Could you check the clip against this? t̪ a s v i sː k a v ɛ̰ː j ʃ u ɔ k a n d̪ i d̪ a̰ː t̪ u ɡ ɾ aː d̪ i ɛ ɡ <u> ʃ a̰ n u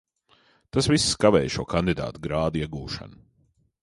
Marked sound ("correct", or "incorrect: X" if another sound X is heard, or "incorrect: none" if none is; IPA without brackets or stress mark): incorrect: uː